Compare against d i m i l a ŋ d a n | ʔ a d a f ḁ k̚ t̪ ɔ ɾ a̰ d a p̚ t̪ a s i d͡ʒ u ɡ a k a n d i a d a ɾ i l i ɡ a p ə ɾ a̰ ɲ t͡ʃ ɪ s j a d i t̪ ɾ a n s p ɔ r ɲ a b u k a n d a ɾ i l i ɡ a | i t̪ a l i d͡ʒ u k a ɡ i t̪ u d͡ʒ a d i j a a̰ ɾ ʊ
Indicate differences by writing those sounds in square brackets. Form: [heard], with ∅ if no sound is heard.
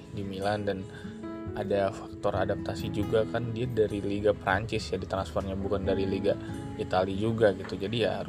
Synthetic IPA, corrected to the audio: d i m i l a [n] d a n | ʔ a d a f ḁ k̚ t̪ ɔ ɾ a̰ d a p̚ t̪ a s i d͡ʒ u ɡ a k a n d i a d a ɾ i l i ɡ a p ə ɾ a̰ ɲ t͡ʃ ɪ s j a d i t̪ ɾ a n s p ɔ r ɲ a b u k a n d a ɾ i l i ɡ a | i t̪ a l i d͡ʒ u [ɡ] a ɡ i t̪ u d͡ʒ a d i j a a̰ ɾ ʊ